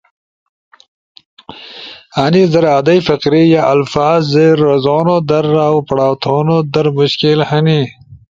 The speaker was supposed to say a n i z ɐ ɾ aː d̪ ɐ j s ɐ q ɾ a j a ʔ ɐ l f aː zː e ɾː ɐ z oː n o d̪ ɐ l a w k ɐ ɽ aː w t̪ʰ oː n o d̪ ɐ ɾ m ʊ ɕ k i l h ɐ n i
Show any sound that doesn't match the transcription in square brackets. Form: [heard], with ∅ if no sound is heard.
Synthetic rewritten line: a n i z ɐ ɾ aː d̪ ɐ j [f] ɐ q ɾ [i] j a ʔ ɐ l f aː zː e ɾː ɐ z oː n o d̪ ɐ [ɾ] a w [p] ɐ ɽ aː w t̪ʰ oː n o d̪ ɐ ɾ m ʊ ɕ k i l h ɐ n i